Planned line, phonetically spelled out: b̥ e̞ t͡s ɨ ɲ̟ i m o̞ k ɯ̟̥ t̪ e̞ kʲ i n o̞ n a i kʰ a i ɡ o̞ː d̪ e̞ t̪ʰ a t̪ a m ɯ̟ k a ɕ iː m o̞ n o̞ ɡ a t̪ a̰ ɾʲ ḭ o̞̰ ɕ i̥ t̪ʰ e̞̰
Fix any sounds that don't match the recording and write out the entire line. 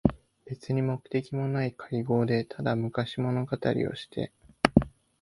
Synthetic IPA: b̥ e̞ t͡s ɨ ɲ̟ i m o̞ k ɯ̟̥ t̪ e̞ kʲ i m o̞ n a i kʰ a i ɡ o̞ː d̪ e̞ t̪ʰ a d̪ a m ɯ̟ k a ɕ i m o̞ n o̞ ɡ a t̪ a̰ ɾʲ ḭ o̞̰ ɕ i̥ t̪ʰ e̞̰